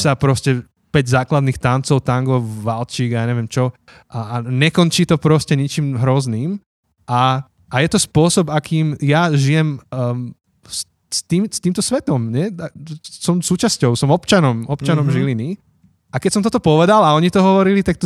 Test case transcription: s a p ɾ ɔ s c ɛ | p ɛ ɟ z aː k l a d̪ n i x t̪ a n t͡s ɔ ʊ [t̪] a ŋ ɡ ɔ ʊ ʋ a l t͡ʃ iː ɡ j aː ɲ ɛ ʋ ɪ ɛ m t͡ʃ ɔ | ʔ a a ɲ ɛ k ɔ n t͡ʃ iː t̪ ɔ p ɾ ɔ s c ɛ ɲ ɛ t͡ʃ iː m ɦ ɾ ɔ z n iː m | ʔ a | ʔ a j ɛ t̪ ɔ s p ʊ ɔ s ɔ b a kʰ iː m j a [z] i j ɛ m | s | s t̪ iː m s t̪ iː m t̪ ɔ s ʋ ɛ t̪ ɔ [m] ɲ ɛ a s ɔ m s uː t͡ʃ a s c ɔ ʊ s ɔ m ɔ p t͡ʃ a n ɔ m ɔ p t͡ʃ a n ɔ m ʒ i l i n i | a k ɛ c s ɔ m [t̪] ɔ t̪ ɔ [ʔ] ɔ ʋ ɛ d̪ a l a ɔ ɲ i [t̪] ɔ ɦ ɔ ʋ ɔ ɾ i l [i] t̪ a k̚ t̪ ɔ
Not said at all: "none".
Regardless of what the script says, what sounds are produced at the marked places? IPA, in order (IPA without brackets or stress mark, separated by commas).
t̪, ʒ, m, t̪, p, t̪, i